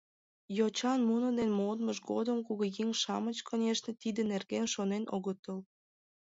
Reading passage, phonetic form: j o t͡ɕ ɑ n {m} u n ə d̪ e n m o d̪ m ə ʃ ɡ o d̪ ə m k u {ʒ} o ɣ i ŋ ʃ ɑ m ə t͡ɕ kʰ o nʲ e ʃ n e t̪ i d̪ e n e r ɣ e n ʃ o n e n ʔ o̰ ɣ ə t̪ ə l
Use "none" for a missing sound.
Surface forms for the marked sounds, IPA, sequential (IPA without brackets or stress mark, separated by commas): m, ɣ